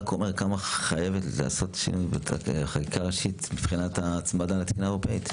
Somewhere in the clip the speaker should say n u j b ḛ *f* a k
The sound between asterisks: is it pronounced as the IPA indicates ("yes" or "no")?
no